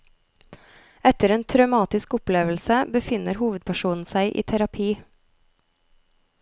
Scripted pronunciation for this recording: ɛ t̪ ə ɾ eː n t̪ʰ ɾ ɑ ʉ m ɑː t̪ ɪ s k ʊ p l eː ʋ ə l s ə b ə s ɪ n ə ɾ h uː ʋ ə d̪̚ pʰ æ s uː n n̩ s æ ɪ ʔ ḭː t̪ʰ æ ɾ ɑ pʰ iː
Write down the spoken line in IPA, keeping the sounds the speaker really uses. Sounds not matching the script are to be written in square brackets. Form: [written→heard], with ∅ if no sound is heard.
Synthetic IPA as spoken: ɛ t̪ ə ɾ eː n t̪ʰ ɾ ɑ ʉ m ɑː t̪ ɪ s k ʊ p l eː ʋ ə l s ə b ə [s→f] ɪ n ə ɾ h uː ʋ ə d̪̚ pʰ æ [s→ʃ] uː n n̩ s æ ɪ ʔ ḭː t̪ʰ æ ɾ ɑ pʰ iː